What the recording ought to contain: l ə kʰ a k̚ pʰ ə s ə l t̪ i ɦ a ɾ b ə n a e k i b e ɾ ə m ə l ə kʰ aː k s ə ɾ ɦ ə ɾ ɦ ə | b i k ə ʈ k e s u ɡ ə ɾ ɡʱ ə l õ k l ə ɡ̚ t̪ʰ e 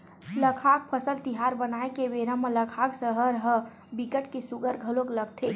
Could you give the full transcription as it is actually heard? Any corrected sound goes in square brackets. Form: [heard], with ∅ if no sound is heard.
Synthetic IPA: l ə kʰ a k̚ pʰ ə s ə l t̪ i ɦ a ɾ b ə n a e k [e] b e ɾ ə m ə l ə kʰ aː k s ə [∅] ɦ ə ɾ ɦ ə | b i k ə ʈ k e s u ɡ ə ɾ ɡʱ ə l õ k l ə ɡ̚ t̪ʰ e